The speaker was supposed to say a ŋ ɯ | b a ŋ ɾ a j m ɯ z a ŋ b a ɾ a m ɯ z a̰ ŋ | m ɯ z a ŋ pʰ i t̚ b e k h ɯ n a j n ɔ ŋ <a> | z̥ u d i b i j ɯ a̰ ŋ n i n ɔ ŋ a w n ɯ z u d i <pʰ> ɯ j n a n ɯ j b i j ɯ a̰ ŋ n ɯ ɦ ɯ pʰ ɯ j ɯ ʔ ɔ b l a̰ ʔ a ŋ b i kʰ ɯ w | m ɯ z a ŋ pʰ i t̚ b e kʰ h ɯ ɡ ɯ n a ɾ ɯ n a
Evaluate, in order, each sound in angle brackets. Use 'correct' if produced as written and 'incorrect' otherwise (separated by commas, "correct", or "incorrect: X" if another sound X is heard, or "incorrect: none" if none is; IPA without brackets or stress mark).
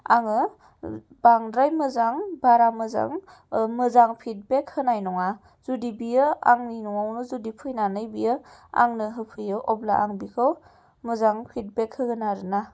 correct, correct